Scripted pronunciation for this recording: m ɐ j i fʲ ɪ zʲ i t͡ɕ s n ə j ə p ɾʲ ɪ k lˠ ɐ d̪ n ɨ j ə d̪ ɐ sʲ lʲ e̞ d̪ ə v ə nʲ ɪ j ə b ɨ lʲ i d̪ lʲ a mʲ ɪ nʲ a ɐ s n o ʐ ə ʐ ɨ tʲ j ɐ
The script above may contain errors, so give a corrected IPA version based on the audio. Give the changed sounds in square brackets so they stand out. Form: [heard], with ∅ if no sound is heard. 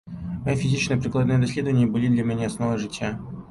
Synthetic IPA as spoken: m ɐ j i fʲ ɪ zʲ i t͡ɕ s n ə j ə p ɾʲ ɪ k lˠ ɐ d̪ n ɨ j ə d̪ ɐ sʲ lʲ e̞ d̪ ə v ə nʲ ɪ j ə b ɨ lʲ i d̪ lʲ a mʲ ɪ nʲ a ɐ s n o [v] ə ʐ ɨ tʲ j [a]

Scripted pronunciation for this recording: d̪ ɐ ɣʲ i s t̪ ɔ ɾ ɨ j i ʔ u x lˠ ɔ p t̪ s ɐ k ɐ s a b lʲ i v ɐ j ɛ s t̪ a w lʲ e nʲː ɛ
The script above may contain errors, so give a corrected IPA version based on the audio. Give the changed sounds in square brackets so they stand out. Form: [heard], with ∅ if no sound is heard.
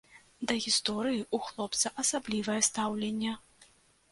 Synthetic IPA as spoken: d̪ ɐ ɣʲ i s t̪ ɔ ɾ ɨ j i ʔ u x lˠ ɔ p t̪ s ɐ [ʔ] ɐ s a b lʲ i v ɐ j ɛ s t̪ a w lʲ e nʲː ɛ

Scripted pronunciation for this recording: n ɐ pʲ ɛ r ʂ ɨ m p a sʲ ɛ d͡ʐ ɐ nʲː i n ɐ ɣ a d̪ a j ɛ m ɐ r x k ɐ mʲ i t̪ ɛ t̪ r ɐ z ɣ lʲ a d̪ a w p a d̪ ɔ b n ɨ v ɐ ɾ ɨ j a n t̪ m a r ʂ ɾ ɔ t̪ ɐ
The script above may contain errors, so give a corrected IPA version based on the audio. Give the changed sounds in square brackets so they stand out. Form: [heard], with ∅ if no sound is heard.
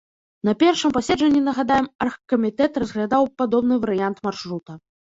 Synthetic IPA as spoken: n ɐ pʲ ɛ r ʂ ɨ m p a sʲ ɛ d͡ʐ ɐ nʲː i n ɐ ɣ a d̪ a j ɛ m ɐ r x k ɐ mʲ i t̪ ɛ t̪ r ɐ z ɣ lʲ a d̪ a w p a d̪ ɔ b n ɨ v ɐ ɾ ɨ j a n t̪ m a r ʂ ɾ [u] t̪ ɐ

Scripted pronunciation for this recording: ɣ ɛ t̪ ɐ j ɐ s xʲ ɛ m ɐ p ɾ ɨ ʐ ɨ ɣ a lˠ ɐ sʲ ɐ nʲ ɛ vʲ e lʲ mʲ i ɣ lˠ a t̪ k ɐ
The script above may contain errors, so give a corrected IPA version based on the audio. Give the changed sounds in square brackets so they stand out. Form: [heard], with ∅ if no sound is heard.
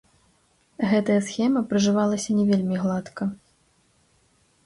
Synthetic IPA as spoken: ɣ ɛ t̪ ɐ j ɐ s xʲ ɛ m ɐ p ɾ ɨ ʐ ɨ [v] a lˠ ɐ sʲ ɐ nʲ ɛ vʲ e lʲ mʲ i ɣ lˠ a t̪ k ɐ

